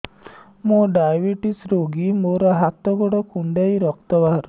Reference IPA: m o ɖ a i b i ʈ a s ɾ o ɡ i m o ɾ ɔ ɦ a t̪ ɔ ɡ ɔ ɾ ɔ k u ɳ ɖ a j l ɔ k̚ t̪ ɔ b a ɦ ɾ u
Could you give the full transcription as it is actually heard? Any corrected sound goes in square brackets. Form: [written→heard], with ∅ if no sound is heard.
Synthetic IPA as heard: m o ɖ a [i→j] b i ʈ [a→i] s ɾ o ɡ i m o ɾ ɔ ɦ a t̪ ɔ ɡ ɔ [ɾ→ɽ] ɔ k u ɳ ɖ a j [l→ɾ] ɔ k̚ t̪ ɔ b a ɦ ɾ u